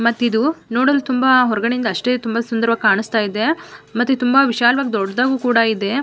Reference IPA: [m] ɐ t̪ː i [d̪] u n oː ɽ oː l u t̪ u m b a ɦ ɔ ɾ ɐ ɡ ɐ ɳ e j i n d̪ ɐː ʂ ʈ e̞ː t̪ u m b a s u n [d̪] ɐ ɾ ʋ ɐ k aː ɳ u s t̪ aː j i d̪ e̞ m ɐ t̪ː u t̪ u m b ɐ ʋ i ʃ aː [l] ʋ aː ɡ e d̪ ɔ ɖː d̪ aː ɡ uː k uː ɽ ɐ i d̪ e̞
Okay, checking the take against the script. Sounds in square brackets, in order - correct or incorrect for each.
correct, correct, correct, correct

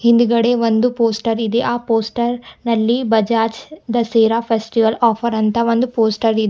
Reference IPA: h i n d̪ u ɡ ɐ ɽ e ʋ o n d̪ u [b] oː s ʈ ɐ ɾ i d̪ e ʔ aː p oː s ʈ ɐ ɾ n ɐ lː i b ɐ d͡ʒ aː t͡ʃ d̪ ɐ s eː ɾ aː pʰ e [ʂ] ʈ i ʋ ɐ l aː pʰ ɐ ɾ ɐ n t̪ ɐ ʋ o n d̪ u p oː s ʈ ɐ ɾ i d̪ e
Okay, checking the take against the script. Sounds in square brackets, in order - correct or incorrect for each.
incorrect, incorrect

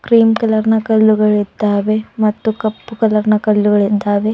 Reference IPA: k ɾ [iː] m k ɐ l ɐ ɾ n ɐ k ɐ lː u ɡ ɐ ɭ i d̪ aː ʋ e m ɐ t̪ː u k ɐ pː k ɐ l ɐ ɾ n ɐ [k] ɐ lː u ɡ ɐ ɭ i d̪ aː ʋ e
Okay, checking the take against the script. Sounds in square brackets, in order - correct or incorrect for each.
correct, correct

